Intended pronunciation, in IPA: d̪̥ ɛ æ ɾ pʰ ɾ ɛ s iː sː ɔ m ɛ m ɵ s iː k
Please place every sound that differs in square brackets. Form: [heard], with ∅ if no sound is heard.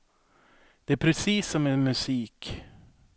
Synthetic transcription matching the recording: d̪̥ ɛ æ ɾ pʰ ɾ ɛ s iː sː ɔ m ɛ m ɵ s iː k